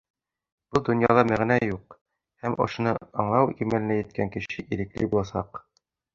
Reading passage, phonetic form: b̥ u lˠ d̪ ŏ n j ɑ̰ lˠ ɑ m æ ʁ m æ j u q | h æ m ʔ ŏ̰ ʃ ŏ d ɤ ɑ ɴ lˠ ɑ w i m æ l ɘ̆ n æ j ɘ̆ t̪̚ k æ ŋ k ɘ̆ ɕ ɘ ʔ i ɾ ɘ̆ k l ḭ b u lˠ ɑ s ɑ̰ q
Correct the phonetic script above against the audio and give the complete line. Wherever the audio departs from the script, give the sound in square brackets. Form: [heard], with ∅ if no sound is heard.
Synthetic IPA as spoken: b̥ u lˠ d̪ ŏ n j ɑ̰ lˠ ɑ m æ ʁ [n] æ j u q | h æ m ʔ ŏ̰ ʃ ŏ [n] ɤ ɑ ɴ lˠ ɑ w i m æ l ɘ̆ n æ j ɘ̆ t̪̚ k æ ŋ k ɘ̆ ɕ ɘ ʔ i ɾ ɘ̆ k l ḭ b u lˠ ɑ s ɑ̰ q